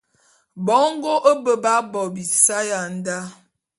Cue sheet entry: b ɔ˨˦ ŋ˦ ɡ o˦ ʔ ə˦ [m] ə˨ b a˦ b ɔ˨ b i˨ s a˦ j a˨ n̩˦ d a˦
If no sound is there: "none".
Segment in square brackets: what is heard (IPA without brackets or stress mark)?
b